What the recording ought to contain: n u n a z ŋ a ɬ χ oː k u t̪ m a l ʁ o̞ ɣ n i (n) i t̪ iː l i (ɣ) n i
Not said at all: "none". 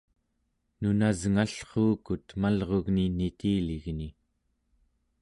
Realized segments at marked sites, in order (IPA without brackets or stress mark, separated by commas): n, ɣ